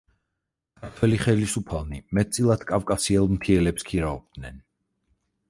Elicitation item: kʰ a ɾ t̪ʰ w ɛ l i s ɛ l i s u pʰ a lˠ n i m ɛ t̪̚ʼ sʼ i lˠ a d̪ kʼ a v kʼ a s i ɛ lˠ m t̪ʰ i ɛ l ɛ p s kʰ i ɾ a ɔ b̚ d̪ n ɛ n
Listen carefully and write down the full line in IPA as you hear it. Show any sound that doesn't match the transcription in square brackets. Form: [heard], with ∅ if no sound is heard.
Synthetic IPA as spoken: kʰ a ɾ t̪ʰ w ɛ l i [χ] ɛ l i s u pʰ a lˠ n i m ɛ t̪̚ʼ sʼ i lˠ a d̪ kʼ a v kʼ a s i ɛ lˠ m t̪ʰ i ɛ l ɛ p s kʰ i ɾ a ɔ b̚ d̪ n ɛ n